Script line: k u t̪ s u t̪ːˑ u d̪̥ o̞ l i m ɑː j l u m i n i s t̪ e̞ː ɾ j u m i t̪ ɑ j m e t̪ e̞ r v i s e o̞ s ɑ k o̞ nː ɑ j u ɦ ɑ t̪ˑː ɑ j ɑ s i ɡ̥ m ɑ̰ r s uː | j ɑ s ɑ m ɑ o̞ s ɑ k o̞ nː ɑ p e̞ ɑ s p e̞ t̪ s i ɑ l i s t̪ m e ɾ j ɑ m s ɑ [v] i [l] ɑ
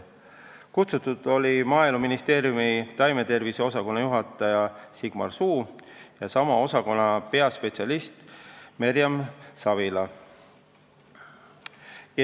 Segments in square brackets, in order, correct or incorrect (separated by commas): correct, correct